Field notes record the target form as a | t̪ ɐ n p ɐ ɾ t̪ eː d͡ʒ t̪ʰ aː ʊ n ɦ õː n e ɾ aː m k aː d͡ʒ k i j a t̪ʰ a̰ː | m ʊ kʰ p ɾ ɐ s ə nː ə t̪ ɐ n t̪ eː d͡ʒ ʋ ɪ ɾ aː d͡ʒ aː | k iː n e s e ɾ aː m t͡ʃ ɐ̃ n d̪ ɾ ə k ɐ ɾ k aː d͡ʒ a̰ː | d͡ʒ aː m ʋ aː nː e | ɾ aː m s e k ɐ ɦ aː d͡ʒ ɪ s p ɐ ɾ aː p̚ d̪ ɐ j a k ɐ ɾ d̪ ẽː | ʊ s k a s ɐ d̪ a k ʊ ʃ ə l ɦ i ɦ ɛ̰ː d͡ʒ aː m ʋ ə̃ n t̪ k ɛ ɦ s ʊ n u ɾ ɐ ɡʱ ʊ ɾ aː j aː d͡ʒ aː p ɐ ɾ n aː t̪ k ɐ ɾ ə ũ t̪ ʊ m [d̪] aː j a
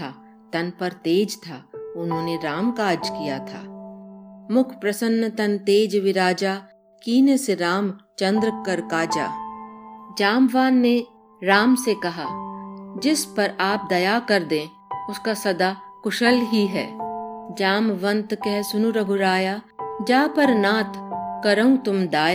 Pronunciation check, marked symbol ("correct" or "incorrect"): correct